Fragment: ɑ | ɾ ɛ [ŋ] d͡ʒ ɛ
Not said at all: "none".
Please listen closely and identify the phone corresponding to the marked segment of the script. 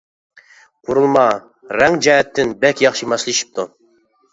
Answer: ŋ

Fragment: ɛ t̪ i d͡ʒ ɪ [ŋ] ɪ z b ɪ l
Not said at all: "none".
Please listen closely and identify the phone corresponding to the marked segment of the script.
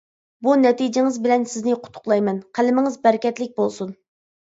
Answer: ŋ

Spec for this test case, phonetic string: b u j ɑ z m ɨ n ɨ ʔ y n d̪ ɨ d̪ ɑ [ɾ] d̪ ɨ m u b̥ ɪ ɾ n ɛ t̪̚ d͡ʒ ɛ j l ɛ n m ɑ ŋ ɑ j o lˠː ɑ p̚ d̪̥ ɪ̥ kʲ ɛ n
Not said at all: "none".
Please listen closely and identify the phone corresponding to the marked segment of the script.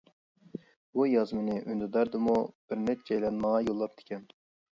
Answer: ɾ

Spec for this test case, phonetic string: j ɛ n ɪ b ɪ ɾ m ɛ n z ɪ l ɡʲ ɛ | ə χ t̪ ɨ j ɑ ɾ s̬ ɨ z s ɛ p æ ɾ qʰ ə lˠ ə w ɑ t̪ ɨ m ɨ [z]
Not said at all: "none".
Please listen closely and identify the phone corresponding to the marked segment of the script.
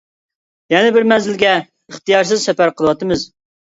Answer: z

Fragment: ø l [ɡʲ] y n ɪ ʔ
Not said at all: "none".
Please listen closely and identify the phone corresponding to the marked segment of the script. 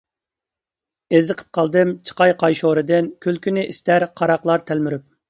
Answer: kʲ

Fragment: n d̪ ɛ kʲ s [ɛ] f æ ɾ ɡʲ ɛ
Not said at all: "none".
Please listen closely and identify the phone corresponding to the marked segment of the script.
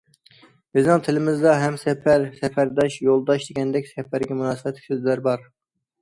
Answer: ɛ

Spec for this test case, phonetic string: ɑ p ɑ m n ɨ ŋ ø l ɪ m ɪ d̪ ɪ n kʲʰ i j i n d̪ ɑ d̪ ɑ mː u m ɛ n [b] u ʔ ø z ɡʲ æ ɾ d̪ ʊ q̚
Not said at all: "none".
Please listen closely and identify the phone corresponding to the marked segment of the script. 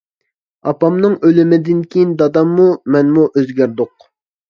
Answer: m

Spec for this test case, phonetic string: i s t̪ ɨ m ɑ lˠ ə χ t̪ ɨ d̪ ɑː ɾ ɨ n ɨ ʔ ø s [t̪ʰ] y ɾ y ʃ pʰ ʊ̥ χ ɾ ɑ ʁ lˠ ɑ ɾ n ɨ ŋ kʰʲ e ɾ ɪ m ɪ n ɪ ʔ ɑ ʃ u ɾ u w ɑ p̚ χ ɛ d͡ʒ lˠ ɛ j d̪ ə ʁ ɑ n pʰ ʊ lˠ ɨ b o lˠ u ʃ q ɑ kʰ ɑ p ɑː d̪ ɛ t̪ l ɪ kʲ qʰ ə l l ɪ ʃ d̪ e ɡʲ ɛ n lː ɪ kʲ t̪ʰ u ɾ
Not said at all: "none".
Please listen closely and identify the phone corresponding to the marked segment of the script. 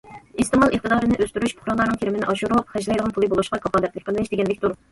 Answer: t̪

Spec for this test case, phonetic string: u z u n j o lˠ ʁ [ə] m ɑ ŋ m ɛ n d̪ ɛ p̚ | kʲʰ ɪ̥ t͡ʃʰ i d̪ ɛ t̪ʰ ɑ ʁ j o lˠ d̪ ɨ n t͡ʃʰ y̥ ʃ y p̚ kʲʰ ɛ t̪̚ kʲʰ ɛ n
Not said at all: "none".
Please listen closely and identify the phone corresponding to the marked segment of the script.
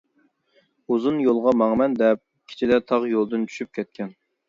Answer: ɑ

